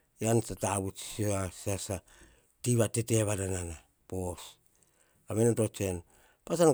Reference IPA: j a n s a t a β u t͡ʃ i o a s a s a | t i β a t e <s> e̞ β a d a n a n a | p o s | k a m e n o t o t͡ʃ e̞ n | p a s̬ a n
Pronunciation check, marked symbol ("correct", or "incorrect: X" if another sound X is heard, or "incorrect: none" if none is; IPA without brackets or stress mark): incorrect: t